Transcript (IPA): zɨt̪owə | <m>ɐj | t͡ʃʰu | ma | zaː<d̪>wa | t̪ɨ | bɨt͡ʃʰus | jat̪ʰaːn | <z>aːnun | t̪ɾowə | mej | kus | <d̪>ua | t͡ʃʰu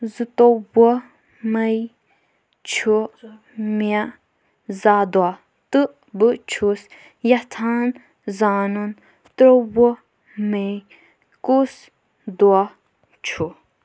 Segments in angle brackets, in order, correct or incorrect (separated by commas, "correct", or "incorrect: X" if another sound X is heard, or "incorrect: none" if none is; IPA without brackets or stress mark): correct, correct, correct, correct